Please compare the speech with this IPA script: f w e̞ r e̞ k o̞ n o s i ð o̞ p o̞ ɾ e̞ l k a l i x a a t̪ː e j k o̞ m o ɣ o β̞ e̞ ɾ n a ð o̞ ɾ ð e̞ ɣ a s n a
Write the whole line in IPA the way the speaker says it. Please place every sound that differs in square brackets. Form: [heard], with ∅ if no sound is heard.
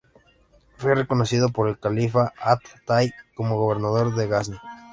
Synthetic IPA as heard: f w e̞ r e̞ k o̞ n o s i ð o̞ p o̞ ɾ e̞ l k a l i [f] a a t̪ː [a] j k o̞ m o ɣ o β̞ e̞ ɾ n a ð o̞ ɾ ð e̞ ɣ a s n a